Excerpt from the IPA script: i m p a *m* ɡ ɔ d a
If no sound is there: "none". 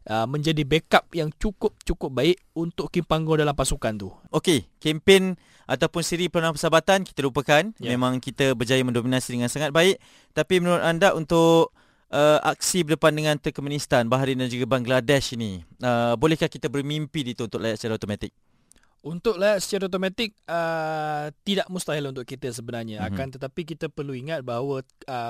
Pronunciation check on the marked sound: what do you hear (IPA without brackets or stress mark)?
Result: ŋ